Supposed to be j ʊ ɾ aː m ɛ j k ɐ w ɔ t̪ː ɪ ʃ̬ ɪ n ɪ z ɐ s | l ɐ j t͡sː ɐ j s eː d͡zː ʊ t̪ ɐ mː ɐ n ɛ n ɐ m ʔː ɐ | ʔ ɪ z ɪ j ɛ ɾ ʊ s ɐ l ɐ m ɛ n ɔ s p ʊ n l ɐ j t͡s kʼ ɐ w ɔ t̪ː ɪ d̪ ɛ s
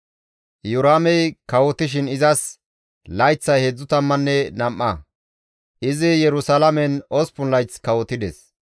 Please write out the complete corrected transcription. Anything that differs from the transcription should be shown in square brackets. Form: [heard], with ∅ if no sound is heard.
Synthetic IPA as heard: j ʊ ɾ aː m ɛ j k ɐ w ɔ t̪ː ɪ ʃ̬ ɪ n ɪ z ɐ s | l ɐ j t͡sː ɐ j [h] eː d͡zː ʊ t̪ ɐ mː ɐ [nː] ɛ n ɐ m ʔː ɐ | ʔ ɪ z ɪ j ɛ ɾ ʊ s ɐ l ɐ m ɛ n ɔ s p ʊ n l ɐ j t͡s [k] ɐ w ɔ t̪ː ɪ d̪ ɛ s